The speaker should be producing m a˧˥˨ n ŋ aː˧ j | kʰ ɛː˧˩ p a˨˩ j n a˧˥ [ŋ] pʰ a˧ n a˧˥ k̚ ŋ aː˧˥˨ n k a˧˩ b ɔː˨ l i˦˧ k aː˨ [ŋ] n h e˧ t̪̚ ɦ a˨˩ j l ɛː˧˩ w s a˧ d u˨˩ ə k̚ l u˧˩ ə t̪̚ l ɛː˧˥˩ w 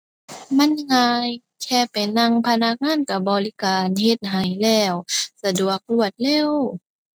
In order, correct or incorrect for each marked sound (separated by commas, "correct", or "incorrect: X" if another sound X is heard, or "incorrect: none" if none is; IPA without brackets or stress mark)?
correct, incorrect: none